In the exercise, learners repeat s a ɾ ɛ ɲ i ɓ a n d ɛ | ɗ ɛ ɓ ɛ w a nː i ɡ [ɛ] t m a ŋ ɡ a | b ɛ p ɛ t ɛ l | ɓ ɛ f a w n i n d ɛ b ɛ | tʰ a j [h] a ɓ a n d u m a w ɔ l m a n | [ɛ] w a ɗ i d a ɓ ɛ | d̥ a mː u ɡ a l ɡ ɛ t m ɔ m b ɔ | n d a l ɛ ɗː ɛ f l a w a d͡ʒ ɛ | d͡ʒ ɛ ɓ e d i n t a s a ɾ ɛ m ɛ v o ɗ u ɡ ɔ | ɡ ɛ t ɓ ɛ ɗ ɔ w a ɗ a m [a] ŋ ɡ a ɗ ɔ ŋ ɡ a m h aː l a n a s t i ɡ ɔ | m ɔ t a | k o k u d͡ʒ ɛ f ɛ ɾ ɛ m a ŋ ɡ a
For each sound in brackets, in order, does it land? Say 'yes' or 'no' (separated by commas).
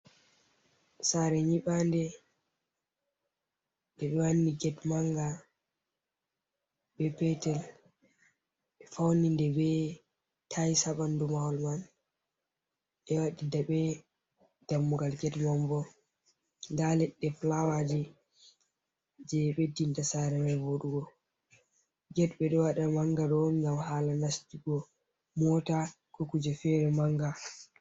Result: yes, no, yes, yes